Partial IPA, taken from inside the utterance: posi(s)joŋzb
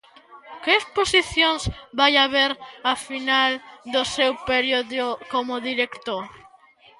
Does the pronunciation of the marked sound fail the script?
yes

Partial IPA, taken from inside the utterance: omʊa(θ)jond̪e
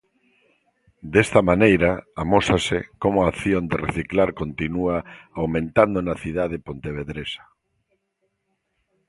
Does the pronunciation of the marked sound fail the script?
no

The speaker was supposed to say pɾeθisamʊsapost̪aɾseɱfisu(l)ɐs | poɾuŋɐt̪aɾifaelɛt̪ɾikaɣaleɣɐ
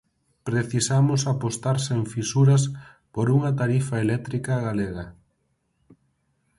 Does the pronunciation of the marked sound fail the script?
yes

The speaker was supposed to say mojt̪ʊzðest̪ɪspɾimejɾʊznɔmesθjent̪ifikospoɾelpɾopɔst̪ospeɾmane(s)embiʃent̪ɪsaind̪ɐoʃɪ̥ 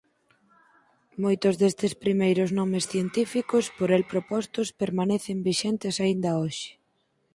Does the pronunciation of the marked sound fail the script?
yes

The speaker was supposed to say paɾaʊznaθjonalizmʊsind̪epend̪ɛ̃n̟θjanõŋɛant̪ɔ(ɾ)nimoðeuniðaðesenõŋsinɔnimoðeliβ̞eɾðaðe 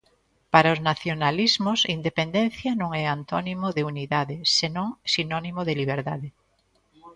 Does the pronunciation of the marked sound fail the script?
yes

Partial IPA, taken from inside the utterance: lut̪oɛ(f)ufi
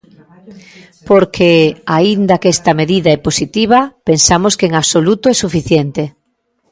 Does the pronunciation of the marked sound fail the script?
yes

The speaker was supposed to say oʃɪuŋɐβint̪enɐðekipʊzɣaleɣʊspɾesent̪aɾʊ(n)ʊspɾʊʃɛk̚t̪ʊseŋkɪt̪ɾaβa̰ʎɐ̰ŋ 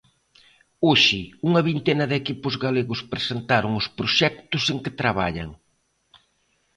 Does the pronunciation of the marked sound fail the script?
yes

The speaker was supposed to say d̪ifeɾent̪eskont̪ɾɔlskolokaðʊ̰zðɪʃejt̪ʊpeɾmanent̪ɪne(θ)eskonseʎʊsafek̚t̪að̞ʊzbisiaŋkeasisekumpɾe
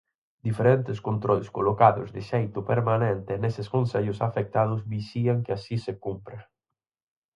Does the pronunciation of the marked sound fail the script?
yes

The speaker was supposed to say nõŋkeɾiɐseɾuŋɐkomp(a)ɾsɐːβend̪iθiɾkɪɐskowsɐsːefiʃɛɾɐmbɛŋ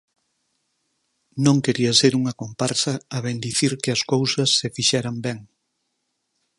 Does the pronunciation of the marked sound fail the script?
no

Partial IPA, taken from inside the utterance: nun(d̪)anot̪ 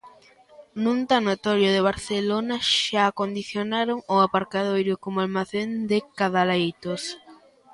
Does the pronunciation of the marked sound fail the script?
yes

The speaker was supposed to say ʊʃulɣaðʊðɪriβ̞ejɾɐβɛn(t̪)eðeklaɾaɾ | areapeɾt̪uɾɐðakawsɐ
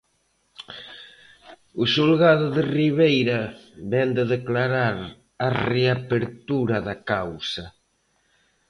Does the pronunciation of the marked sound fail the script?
yes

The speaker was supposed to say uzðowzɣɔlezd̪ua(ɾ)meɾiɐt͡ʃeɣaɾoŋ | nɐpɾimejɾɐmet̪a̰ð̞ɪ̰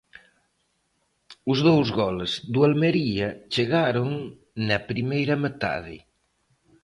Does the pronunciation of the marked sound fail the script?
yes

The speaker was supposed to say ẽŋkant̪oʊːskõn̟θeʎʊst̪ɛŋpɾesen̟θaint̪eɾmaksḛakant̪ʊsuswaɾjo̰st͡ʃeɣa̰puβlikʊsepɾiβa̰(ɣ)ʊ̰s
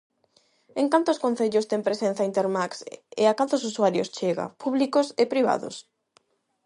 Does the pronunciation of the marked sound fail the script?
yes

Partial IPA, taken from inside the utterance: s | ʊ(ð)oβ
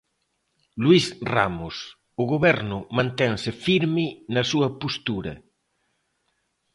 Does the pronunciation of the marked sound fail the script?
yes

